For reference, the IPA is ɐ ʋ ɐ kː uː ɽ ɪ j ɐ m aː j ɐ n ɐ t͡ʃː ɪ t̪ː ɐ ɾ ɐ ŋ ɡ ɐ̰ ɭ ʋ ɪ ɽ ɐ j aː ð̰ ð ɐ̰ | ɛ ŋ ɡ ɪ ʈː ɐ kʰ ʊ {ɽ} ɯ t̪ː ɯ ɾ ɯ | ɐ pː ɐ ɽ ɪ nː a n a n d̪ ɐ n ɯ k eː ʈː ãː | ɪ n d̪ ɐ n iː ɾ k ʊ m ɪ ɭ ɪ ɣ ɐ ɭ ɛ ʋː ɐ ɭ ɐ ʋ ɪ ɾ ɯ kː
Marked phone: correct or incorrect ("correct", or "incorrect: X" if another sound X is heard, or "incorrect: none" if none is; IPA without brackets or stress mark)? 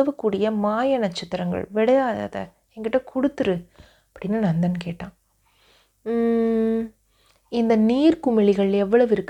correct